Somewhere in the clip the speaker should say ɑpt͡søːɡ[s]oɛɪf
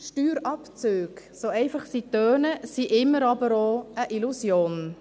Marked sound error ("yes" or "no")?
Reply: no